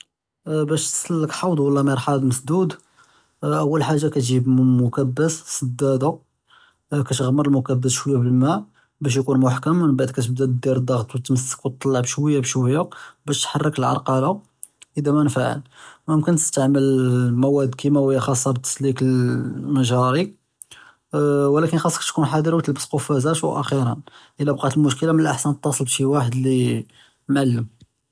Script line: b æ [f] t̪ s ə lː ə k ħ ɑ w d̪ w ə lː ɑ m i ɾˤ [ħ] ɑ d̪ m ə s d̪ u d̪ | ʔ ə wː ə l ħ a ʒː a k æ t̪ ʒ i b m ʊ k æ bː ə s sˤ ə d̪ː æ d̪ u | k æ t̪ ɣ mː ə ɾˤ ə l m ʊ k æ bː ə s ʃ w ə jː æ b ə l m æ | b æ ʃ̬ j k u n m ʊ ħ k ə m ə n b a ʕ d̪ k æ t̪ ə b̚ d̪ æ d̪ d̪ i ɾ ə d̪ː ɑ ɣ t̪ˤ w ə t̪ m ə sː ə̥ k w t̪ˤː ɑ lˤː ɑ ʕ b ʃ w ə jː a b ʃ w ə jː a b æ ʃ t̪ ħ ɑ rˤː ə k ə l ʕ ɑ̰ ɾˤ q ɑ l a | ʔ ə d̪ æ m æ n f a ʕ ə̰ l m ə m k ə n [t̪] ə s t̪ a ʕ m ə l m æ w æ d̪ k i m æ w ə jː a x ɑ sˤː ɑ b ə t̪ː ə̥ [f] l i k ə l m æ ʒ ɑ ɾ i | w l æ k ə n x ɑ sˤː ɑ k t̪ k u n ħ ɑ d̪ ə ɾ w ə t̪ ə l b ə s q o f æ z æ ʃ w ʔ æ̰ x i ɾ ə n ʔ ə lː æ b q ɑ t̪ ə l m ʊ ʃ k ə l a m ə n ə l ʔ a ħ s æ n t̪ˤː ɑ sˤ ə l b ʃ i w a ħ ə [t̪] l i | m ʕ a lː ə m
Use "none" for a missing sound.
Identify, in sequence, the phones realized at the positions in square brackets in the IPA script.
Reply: ʃ, ħ, t̪, s, d̪

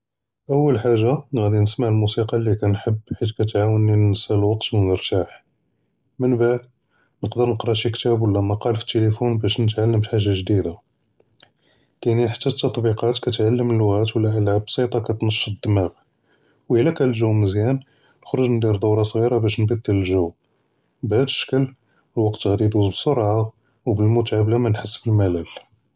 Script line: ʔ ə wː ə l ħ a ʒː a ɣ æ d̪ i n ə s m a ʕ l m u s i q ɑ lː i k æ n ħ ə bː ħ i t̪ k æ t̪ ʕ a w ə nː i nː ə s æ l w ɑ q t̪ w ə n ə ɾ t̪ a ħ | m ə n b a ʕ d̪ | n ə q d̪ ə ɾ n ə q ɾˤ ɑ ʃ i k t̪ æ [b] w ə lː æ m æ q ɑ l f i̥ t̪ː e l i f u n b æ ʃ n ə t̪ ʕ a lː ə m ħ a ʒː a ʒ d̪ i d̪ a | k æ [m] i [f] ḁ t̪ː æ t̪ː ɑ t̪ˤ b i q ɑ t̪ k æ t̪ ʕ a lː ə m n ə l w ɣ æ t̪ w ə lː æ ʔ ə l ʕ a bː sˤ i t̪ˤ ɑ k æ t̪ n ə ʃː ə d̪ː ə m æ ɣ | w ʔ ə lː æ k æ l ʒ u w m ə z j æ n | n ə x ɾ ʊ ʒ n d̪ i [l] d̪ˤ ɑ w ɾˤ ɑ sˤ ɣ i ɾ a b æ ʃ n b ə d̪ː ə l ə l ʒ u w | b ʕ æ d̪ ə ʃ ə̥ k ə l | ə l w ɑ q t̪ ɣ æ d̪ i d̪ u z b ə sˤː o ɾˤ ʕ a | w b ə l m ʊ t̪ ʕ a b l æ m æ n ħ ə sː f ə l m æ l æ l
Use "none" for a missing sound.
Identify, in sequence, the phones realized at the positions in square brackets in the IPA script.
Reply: b, n, ħ, ɾ

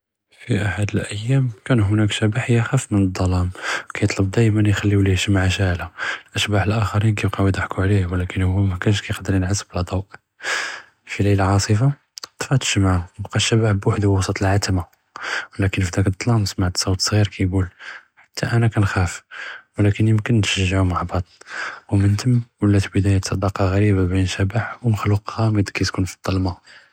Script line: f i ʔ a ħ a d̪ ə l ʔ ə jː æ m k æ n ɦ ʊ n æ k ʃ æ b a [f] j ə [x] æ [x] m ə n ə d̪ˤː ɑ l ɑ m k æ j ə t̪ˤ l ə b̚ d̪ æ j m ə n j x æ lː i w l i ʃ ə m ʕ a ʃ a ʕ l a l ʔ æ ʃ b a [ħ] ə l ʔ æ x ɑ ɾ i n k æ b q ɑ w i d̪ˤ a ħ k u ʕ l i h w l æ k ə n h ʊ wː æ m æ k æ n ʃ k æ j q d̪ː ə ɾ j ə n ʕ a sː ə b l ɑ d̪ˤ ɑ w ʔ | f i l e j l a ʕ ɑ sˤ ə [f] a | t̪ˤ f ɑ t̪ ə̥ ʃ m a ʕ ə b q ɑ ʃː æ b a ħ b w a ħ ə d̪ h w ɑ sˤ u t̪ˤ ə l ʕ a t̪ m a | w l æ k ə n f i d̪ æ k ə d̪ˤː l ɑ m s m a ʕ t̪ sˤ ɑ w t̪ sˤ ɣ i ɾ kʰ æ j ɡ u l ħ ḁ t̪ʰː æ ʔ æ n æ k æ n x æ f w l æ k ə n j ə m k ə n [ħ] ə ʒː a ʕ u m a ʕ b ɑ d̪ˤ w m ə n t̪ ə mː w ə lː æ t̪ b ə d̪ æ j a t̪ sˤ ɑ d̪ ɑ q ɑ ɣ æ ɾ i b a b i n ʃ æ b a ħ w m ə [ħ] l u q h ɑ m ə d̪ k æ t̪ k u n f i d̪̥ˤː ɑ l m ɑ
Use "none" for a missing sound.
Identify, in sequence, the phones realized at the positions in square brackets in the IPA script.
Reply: ħ, x, f, ħ, f, ʃ, x

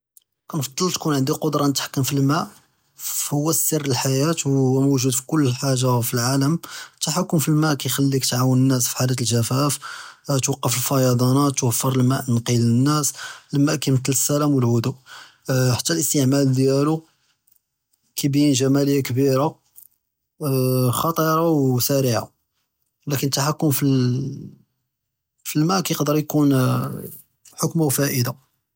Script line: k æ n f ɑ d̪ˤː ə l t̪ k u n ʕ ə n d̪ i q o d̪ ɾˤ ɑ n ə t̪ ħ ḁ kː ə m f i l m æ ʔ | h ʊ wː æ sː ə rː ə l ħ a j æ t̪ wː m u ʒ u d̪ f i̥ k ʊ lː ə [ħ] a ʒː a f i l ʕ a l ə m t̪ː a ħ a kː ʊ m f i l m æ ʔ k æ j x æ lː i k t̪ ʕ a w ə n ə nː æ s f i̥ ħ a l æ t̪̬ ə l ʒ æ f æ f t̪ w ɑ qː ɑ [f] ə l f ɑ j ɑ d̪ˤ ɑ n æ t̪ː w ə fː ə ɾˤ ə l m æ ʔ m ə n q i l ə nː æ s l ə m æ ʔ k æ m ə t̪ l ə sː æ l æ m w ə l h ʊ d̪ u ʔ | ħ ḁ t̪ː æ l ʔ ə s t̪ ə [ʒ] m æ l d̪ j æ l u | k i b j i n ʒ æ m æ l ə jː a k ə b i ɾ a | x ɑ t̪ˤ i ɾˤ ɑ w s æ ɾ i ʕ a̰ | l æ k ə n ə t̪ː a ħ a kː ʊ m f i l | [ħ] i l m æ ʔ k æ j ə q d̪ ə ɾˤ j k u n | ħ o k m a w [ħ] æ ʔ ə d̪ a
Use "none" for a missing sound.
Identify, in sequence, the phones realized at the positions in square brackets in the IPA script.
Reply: ħ, f, ʕ, f, f

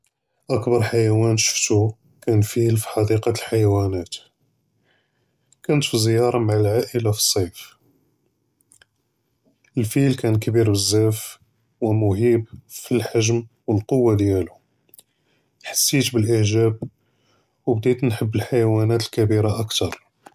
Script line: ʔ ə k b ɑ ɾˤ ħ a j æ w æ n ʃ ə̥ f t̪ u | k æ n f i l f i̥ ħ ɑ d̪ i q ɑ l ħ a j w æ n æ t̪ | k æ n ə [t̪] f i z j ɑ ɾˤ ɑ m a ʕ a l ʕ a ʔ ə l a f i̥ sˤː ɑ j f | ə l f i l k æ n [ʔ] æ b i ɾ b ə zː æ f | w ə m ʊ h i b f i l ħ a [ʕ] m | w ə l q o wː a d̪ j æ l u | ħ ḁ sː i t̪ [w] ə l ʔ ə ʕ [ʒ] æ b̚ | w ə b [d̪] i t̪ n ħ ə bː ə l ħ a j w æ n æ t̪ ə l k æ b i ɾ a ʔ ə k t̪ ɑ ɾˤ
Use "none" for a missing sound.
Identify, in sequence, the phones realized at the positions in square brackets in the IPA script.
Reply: t̪, k, ʒ, b, ʒ, d̪

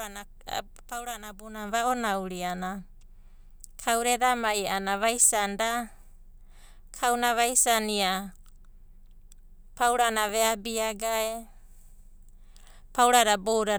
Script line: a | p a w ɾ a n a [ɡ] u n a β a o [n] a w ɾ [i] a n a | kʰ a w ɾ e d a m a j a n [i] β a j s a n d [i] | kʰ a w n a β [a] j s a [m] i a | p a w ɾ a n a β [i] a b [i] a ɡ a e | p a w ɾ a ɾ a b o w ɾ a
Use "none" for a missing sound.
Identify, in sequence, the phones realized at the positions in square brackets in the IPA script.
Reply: b, n, i, a, a, a, n, e, i

